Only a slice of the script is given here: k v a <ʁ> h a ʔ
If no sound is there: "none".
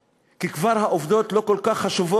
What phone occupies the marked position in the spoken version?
ʁ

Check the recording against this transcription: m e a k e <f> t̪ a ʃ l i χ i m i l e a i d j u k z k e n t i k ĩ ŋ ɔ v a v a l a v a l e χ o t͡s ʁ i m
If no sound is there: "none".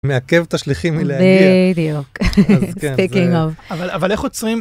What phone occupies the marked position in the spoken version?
v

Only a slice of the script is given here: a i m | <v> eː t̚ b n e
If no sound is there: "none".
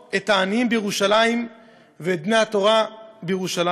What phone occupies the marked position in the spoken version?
v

